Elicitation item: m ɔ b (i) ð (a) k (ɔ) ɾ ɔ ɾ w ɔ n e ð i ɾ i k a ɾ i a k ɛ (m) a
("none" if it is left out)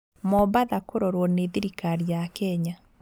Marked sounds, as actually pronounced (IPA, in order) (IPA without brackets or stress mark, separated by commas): a, a, o, ɲ